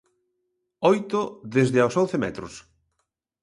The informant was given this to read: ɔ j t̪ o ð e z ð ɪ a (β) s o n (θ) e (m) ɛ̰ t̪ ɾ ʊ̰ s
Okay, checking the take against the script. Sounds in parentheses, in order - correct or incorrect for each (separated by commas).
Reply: incorrect, correct, correct